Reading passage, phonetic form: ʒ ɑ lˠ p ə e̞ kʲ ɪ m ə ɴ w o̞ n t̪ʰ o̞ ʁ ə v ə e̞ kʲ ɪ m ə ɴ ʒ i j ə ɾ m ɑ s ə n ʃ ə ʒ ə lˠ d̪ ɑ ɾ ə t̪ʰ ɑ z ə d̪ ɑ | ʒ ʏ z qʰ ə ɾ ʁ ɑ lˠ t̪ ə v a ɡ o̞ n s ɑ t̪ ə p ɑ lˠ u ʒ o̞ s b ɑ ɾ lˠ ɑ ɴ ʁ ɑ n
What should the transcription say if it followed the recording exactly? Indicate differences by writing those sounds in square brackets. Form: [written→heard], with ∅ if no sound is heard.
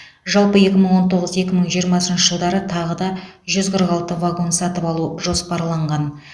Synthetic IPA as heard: ʒ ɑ lˠ p ə e̞ kʲ ɪ m ə ɴ w o̞ n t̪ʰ o̞ ʁ ə [v→z] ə e̞ kʲ ɪ m ə ɴ ʒ i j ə ɾ m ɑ s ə n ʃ ə ʒ ə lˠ d̪ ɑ ɾ ə t̪ʰ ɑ [z→ʁ] ə d̪ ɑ | ʒ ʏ z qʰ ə ɾ ʁ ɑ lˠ t̪ ə v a ɡ o̞ n s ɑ t̪ ə p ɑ lˠ u ʒ o̞ s [b→p] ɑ ɾ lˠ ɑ ɴ ʁ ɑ n